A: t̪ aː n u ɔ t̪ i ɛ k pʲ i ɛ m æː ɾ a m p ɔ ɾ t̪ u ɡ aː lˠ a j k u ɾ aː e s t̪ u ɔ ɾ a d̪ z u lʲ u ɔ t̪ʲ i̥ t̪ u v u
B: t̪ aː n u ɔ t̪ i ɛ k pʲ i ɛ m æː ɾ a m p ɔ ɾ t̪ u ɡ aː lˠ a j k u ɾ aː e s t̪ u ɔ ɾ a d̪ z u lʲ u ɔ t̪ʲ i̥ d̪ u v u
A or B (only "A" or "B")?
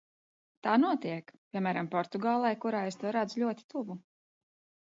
A